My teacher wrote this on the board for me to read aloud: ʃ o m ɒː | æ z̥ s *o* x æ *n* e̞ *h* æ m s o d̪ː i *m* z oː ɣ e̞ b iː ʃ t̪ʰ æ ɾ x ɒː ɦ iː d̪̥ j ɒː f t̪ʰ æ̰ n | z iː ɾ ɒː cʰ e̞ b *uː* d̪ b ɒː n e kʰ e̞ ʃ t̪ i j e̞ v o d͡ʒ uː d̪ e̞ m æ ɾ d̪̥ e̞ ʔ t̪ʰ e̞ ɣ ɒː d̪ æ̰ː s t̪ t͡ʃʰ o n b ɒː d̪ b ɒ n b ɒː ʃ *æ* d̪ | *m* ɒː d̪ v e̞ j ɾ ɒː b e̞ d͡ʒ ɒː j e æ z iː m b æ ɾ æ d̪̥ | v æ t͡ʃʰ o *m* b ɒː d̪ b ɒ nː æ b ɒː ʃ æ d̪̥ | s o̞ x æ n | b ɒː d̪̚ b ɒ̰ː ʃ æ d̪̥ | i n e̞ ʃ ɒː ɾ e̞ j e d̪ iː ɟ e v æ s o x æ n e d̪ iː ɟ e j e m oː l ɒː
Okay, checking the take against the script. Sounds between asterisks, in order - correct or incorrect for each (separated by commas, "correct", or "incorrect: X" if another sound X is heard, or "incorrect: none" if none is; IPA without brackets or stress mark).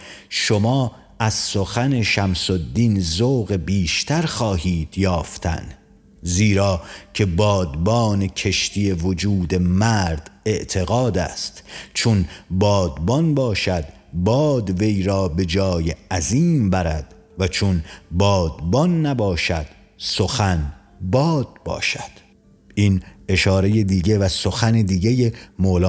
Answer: correct, correct, incorrect: ʃ, incorrect: n, incorrect: ɒː, correct, incorrect: b, incorrect: n